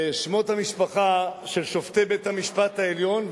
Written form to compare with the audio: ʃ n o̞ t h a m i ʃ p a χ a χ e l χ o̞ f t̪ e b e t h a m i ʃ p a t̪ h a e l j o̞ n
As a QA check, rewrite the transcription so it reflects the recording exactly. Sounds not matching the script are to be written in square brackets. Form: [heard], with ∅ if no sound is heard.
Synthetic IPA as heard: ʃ [m] o̞ t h a m i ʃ p a χ a [ʃ] e l [ʃ] o̞ f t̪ e b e t h a m i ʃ p a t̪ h a e l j o̞ n